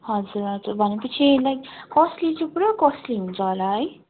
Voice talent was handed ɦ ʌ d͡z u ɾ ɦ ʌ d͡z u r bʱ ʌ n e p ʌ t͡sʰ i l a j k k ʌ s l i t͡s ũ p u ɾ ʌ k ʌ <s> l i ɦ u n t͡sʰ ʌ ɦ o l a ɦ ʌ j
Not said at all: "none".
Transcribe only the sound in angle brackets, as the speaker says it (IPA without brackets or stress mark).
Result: s